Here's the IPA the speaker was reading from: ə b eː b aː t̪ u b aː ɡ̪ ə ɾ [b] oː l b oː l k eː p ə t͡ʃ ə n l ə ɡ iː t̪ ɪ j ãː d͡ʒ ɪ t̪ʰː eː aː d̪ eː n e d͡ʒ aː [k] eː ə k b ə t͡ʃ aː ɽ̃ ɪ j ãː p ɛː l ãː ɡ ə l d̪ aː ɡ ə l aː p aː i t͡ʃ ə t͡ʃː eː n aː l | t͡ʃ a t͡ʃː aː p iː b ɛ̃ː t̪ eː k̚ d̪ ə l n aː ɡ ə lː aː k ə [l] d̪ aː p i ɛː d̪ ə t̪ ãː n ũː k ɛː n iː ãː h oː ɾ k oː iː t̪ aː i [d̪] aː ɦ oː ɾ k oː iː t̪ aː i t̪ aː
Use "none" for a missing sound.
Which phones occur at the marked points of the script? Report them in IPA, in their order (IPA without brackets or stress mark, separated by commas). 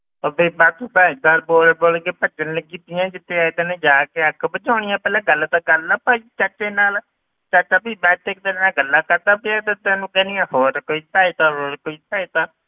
b, k, ɾ, t̪